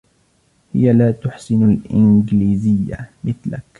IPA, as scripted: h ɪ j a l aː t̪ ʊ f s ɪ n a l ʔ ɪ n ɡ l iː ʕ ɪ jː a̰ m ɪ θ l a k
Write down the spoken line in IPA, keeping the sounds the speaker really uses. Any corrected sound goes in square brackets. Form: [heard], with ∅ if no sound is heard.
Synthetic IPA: h ɪ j a l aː t̪ ʊ [ħ] s ɪ n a l ʔ ɪ n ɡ l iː [z] ɪ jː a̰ m ɪ θ l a k